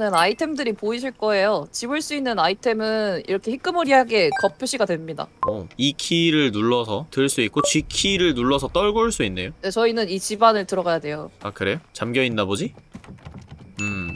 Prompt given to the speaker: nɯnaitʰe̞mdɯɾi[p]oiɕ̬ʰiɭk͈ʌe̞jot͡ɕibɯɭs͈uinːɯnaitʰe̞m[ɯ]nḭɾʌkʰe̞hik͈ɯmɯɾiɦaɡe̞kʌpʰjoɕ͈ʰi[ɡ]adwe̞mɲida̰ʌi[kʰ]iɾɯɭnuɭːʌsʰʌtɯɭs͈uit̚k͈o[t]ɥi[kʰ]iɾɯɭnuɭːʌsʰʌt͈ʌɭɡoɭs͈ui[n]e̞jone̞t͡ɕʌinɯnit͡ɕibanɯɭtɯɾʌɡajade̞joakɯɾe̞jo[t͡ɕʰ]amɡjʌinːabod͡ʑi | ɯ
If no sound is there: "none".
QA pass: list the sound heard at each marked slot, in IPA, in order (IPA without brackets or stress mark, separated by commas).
p, ɯ, ɡ, kʰ, t͡ɕ, kʰ, nː, t͡ɕ